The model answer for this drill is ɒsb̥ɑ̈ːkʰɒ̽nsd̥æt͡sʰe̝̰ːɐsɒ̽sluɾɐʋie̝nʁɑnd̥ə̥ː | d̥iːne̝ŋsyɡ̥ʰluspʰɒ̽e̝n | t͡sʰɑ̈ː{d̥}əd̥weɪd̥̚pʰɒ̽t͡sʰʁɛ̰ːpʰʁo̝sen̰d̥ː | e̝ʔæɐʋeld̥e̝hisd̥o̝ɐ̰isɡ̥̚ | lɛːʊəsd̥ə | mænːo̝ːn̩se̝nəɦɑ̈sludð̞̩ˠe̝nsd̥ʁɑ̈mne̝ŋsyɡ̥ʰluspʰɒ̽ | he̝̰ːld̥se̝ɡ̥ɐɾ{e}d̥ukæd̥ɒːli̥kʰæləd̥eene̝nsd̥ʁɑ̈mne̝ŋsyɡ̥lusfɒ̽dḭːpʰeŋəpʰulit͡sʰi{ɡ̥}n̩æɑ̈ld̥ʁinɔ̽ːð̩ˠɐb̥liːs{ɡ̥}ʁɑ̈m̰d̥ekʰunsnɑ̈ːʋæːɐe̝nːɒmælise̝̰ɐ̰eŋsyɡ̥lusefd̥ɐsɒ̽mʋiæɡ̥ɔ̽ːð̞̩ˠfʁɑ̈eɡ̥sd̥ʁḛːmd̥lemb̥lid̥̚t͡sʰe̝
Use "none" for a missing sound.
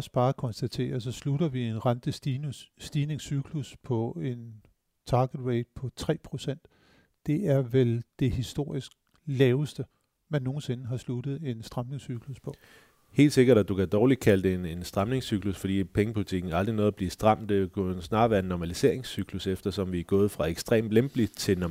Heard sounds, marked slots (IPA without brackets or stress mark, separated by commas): ɡ̥, æ, ɡ̥, d̥